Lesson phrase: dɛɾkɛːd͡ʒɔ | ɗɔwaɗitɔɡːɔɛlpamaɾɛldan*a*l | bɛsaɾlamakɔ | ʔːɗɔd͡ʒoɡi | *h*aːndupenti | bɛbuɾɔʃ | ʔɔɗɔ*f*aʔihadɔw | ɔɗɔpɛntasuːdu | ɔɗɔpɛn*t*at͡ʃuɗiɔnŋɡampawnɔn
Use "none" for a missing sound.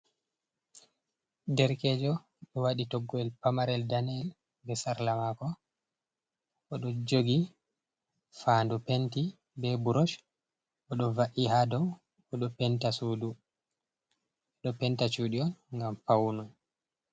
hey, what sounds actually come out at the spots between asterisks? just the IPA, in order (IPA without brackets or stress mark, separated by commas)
ɛ, f, v, t